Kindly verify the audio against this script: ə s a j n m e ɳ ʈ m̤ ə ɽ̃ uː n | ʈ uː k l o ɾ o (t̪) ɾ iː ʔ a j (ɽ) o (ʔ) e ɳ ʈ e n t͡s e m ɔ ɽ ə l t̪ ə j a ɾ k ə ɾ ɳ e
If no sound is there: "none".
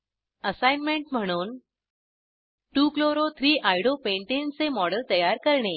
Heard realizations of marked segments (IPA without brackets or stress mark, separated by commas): t̪ʰ, ɽ, p